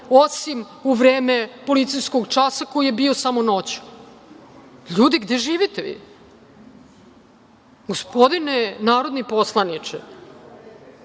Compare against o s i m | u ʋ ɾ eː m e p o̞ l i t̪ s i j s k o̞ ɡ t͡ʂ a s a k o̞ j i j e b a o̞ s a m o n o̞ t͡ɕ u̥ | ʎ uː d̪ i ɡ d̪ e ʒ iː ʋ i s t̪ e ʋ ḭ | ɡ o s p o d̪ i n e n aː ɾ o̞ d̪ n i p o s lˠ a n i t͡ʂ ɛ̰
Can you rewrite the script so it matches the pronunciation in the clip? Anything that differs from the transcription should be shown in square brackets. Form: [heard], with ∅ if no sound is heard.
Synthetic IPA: o s i m | u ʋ ɾ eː m e p o̞ l i t̪ s i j s k o̞ ɡ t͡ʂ a s a k o̞ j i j e b [i] o̞ s a m o n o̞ t͡ɕ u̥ | ʎ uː d̪ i ɡ d̪ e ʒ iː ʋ i [∅] t̪ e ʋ ḭ | ɡ o s p o d̪ i n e n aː ɾ o̞ d̪ n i p o s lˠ a n i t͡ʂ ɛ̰